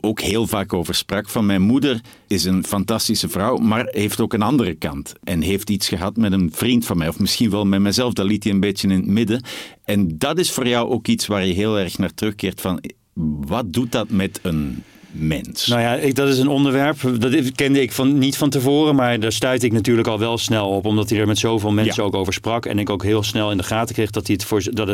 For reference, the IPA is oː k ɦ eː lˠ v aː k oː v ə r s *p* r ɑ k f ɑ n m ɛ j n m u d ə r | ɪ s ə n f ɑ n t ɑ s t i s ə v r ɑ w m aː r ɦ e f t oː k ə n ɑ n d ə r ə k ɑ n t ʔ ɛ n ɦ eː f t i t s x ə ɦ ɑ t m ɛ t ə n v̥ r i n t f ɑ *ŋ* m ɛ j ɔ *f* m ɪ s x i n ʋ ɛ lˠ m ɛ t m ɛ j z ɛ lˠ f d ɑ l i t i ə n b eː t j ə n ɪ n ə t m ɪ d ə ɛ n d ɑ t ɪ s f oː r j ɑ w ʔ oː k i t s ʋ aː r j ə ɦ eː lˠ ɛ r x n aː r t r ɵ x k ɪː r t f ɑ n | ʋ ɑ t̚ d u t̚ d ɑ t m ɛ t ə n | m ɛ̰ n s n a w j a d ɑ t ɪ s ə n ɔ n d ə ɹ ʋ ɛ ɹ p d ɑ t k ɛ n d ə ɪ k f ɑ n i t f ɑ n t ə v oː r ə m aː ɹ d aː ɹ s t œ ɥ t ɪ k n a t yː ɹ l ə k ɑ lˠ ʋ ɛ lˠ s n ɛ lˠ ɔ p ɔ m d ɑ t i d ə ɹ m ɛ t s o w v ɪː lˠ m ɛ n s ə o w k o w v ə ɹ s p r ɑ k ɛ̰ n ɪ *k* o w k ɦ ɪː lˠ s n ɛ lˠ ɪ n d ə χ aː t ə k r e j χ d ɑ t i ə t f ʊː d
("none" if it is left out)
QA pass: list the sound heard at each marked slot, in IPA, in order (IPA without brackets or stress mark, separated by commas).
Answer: p, n, f, k